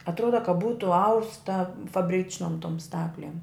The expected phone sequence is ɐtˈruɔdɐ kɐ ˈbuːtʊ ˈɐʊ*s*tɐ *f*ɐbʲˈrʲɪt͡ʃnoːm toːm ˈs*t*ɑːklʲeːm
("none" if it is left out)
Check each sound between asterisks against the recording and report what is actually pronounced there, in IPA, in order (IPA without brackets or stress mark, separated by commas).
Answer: s, f, t